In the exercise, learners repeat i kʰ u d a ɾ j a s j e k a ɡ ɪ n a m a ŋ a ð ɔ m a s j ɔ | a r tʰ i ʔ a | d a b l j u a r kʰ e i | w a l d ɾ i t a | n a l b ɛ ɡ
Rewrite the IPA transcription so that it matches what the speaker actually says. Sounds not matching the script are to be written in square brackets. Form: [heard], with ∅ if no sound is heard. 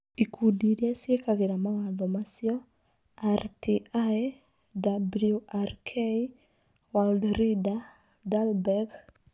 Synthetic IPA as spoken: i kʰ u d [i] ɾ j a s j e k a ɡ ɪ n a m a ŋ a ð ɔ m a s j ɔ | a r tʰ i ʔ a | d a b l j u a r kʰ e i | w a l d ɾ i [d] a | [d] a l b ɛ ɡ